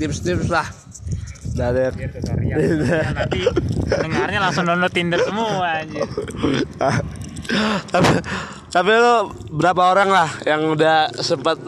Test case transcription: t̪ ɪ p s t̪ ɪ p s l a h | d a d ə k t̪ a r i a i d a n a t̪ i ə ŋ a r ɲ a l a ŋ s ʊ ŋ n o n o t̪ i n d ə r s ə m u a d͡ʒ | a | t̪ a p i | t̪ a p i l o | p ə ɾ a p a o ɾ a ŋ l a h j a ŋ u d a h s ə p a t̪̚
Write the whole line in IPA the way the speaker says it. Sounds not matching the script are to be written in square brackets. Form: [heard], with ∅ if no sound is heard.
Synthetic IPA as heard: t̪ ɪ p s t̪ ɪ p s l a h | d a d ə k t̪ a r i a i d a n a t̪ i ə ŋ a r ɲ a l a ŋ s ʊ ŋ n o n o t̪ i n d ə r s ə m u a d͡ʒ | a | t̪ a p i | t̪ a p i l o | [b] ə ɾ a p a o ɾ a ŋ l a h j a ŋ u d a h s ə p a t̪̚